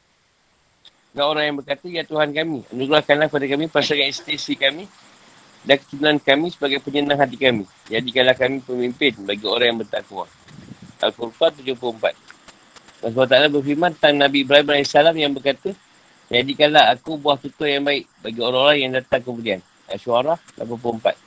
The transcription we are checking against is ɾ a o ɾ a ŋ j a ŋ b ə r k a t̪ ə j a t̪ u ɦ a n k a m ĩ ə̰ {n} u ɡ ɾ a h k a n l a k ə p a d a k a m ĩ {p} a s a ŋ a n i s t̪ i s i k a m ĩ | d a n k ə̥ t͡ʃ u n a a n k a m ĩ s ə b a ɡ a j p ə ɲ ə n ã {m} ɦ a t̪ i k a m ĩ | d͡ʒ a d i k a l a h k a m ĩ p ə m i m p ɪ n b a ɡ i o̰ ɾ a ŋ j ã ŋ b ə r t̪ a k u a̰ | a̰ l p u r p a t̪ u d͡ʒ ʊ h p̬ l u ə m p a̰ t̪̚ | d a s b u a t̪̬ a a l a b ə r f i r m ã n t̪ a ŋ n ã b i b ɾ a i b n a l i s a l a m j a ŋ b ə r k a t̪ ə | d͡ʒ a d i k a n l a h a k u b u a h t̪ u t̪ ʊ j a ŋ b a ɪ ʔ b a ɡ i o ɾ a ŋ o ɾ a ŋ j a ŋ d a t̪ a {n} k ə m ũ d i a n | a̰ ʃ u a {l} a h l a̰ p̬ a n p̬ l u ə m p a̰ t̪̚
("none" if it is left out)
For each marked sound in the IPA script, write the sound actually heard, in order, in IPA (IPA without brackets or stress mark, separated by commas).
n, p, ŋ, ŋ, ɾ